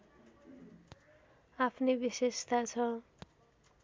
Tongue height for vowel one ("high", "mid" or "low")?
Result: low